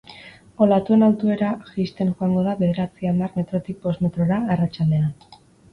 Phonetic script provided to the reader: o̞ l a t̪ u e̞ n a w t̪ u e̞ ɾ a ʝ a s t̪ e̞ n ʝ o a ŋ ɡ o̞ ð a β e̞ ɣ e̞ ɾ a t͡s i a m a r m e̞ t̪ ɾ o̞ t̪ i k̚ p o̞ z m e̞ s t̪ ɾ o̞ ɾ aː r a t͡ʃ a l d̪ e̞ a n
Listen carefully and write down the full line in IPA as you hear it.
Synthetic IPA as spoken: o̞ l a t̪ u e̞ n a w t̪ u e̞ ɾ a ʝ i s t̪ e̞ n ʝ o a ŋ ɡ o̞ ð a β e̞ ð e̞ ɾ a t͡s i a m a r m e̞ t̪ ɾ o̞ t̪ i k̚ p o̞ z m e̞ t̪ ɾ o̞ ɾ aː r a t͡ʃ a l d̪ e̞ a n